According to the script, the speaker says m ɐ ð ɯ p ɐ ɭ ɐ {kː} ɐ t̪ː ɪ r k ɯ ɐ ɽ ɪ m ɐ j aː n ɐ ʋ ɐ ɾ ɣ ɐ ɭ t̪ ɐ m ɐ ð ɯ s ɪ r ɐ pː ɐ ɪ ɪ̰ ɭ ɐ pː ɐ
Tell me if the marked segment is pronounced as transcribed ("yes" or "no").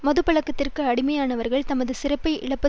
yes